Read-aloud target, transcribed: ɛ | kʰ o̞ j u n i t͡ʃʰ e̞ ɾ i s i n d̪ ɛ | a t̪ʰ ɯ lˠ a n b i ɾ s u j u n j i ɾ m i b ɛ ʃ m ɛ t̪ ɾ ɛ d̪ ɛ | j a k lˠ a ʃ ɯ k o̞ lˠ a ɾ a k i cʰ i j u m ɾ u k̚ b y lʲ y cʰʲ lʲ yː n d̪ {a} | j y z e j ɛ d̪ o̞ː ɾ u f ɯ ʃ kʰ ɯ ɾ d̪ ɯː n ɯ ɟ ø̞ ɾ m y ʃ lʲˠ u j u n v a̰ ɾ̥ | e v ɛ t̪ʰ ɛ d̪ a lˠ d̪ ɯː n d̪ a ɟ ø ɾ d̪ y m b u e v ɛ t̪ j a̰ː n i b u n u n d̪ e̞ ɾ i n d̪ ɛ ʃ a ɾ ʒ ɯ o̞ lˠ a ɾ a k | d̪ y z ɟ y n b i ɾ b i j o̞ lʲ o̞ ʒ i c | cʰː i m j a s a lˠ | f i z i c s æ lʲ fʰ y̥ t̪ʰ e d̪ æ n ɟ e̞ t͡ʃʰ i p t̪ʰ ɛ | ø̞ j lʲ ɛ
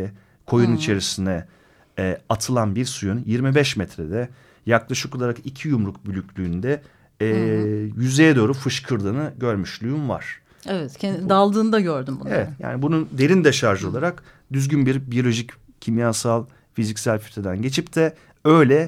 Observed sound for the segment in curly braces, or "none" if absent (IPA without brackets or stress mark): ɛ